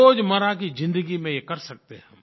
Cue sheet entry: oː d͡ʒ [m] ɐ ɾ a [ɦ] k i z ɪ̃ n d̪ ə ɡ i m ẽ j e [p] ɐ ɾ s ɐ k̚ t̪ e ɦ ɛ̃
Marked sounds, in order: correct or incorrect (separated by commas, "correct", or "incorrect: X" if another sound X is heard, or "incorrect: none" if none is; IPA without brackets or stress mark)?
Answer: correct, incorrect: none, incorrect: k